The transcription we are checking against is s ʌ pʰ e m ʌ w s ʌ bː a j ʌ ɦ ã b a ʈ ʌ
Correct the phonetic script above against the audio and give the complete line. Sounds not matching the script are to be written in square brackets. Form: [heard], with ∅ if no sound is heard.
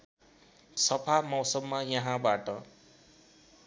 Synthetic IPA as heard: s ʌ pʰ [a] m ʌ w s ʌ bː a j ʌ ɦ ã b a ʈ ʌ